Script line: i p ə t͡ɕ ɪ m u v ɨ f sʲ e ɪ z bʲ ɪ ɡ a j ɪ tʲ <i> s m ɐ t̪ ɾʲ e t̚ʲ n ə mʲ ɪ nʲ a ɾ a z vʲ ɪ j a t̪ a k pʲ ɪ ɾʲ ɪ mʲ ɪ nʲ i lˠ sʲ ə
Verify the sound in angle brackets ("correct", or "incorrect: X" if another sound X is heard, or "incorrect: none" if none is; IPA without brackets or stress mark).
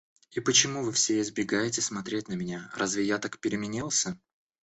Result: incorrect: ɪ